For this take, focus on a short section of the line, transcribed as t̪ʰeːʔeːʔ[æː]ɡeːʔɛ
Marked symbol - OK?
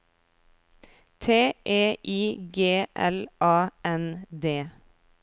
no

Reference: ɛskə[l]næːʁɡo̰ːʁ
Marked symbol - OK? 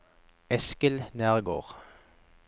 yes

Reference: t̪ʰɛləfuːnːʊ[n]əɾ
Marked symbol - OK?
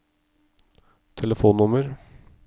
no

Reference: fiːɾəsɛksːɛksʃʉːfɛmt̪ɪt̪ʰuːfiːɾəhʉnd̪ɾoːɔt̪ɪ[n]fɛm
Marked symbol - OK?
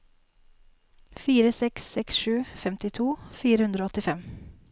no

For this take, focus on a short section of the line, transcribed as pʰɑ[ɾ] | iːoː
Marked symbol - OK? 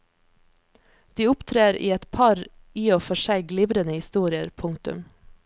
yes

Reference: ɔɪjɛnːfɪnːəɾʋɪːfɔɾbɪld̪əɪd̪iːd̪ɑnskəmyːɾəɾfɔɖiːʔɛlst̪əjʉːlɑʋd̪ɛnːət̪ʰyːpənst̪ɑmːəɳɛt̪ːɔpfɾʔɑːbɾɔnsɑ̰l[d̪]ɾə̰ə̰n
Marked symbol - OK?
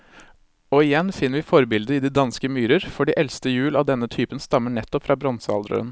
yes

